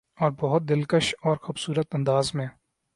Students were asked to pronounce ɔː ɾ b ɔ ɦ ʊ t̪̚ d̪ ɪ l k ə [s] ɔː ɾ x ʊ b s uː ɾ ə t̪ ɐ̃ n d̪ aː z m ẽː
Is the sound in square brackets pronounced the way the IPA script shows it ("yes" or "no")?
no